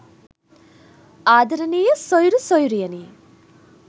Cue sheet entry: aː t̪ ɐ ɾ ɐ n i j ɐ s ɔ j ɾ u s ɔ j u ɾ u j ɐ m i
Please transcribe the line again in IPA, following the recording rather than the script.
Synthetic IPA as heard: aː d̪ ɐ ɾ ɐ n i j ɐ s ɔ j ɾ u s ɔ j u ɾ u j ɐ n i